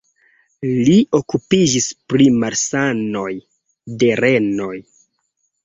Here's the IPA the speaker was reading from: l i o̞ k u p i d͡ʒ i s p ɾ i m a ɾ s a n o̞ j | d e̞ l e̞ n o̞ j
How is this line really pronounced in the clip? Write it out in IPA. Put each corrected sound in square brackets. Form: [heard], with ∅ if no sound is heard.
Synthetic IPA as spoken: l i o̞ k u p i d͡ʒ i s p ɾ i m a ɾ s a n o̞ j | d e̞ [ɾ] e̞ n o̞ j